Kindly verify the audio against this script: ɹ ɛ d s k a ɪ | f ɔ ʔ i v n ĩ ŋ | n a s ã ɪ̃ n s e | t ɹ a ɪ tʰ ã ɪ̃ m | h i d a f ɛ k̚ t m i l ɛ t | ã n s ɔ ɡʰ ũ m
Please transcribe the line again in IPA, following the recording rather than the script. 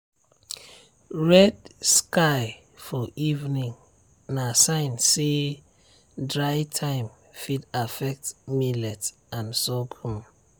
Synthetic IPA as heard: ɹ ɛ d s k a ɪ | f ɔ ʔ i v n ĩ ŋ | n a s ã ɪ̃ n s e | d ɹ a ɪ tʰ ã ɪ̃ m | f i d a f ɛ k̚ t m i l ɛ t | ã n s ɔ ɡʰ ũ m